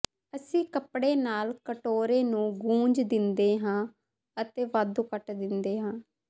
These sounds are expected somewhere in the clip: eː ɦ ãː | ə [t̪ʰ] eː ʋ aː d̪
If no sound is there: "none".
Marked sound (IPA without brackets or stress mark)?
t̪